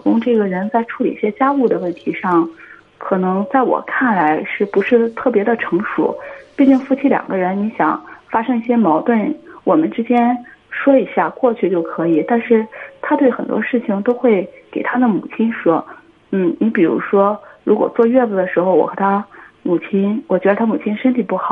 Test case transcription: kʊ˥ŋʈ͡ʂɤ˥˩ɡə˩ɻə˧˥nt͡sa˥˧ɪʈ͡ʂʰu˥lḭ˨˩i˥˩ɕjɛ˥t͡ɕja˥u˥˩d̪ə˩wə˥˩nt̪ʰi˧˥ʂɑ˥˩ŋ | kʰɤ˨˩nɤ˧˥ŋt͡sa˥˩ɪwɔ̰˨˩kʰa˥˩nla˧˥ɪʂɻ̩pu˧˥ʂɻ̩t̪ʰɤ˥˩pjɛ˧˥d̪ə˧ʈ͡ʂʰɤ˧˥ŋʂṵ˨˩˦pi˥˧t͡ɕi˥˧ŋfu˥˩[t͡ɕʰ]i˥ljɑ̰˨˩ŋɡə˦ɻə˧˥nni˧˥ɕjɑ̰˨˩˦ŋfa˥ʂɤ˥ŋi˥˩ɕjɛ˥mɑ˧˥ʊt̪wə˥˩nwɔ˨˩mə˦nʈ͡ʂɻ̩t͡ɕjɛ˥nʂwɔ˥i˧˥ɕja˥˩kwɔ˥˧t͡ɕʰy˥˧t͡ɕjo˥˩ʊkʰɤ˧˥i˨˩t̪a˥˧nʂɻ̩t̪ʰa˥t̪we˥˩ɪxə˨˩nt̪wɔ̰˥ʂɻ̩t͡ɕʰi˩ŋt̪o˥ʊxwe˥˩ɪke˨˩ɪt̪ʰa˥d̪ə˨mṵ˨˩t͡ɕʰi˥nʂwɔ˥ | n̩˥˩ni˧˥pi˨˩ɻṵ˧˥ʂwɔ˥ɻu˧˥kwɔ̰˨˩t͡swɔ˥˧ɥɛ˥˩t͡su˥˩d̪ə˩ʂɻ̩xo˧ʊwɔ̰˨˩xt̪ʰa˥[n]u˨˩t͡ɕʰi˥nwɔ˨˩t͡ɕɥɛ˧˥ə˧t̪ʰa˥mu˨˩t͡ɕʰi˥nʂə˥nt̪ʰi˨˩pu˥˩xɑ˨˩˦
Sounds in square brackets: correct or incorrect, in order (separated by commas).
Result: correct, incorrect